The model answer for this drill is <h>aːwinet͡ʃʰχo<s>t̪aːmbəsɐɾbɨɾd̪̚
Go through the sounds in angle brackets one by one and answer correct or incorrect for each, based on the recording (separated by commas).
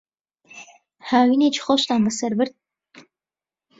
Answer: correct, incorrect